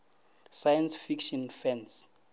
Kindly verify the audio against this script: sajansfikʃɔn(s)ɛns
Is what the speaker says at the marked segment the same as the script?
no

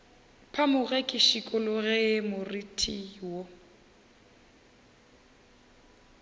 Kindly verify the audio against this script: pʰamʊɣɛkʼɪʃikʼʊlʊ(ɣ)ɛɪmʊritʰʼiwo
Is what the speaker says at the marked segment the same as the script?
yes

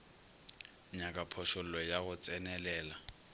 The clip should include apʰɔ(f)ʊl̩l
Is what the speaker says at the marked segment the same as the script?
no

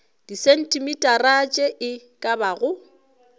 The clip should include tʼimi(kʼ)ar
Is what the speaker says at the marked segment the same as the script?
no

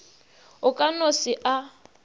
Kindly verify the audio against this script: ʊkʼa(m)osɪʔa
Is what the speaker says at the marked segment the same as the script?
no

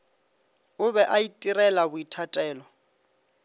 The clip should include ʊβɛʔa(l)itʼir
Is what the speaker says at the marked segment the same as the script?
no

